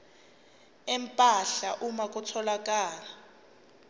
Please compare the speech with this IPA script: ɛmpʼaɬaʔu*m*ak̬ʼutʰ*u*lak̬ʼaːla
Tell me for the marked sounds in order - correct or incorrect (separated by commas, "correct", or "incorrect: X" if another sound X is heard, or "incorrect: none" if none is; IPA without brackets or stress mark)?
correct, incorrect: ɔ